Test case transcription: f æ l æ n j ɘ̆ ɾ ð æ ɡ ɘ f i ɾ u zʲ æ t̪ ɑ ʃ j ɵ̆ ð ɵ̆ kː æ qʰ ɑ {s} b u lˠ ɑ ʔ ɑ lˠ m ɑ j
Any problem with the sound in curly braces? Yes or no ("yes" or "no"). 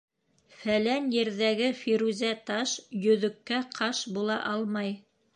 yes